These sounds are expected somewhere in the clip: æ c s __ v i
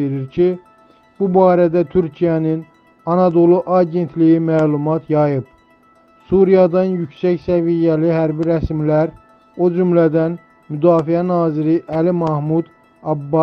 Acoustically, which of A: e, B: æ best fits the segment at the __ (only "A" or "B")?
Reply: B